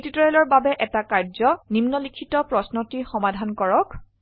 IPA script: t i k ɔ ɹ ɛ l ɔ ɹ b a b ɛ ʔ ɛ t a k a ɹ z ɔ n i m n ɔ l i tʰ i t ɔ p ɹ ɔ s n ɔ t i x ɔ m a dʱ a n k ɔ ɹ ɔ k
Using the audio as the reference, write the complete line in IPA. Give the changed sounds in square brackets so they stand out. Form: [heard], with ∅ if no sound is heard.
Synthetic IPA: t i [t] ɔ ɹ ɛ l ɔ ɹ b a b ɛ ʔ ɛ t a k a ɹ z ɔ n i m n ɔ l i [kʰ] i t ɔ p ɹ ɔ s n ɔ t i x ɔ m a dʱ a n k ɔ ɹ ɔ k